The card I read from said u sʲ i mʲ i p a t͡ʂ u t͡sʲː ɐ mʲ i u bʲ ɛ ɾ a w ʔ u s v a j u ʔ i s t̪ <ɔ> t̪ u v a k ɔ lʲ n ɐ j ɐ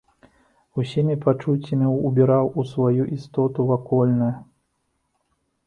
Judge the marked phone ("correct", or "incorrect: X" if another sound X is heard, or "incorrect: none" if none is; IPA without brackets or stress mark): correct